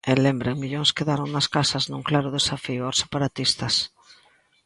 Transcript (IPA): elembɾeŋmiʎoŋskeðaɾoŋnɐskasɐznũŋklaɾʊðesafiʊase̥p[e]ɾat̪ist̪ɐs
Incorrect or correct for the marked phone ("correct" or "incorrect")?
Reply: incorrect